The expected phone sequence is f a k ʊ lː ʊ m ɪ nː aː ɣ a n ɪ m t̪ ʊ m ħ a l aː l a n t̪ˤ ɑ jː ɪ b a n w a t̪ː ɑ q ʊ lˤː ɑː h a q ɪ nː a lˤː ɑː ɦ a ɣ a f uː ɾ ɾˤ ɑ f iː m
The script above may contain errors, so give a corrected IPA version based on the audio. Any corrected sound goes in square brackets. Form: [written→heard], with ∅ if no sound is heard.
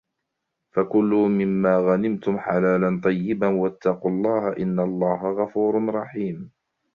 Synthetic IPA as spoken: f a k ʊ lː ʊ m ɪ [nː→mː] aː ɣ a n ɪ m t̪ ʊ m ħ a l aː l a n t̪ˤ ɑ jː ɪ b a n w a t̪ː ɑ q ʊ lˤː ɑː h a [q→ʔ] ɪ nː a lˤː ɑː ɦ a ɣ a f uː ɾ ɾˤ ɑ [f→ħ] iː m